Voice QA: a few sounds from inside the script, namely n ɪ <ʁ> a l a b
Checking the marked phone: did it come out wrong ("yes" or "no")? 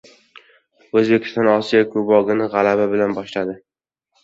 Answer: no